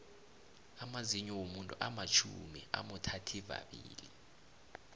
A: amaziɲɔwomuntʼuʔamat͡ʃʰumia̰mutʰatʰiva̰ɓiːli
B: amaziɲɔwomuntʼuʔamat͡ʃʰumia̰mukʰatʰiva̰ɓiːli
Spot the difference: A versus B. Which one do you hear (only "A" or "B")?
A